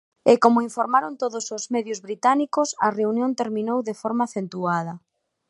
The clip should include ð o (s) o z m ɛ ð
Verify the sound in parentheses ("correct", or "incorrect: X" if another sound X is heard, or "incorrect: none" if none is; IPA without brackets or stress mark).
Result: correct